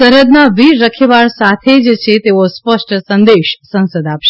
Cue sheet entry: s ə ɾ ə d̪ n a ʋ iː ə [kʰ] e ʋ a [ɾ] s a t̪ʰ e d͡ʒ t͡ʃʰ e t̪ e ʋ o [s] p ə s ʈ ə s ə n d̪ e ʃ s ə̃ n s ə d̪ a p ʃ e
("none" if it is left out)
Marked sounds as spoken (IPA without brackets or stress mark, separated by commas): kʰ, ɭ, s